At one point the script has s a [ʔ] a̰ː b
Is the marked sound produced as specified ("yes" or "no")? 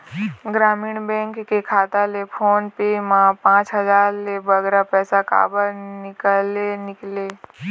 no